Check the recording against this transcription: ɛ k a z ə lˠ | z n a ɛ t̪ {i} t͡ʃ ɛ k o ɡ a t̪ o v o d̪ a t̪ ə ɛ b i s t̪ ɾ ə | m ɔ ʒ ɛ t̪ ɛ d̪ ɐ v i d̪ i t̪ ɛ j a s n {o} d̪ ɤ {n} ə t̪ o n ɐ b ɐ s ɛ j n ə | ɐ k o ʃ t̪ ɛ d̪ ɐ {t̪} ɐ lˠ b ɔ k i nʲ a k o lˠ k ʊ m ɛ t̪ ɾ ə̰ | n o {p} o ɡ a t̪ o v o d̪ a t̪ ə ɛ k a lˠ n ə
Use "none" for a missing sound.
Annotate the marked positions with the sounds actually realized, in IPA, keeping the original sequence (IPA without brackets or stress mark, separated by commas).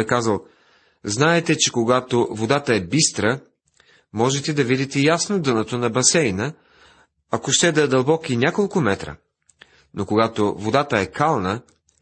ɛ, o, n, d̪, k